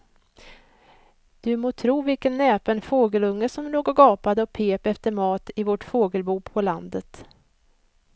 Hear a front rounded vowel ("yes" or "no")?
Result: no